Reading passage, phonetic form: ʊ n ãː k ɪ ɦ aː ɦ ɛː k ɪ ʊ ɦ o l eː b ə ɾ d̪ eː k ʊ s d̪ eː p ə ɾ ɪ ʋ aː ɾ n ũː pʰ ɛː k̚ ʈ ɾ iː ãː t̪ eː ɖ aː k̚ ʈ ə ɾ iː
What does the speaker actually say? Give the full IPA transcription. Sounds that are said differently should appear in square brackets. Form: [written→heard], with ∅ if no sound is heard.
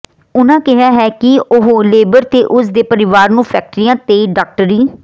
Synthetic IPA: ʊ n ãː k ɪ ɦ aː ɦ ɛː k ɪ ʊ ɦ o l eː b ə ɾ [d̪→t̪] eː [k→ʔ] ʊ s d̪ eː p ə ɾ ɪ ʋ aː ɾ n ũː pʰ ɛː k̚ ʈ ɾ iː ãː t̪ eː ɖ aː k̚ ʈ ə ɾ iː